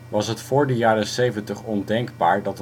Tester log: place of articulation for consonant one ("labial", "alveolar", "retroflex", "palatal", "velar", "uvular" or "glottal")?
labial